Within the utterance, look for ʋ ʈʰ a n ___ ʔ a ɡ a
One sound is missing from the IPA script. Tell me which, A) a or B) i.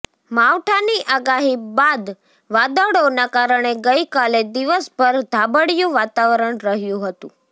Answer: B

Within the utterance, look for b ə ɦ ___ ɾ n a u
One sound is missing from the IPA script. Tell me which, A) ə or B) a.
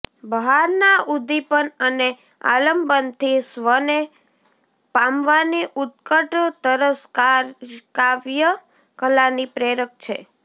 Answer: B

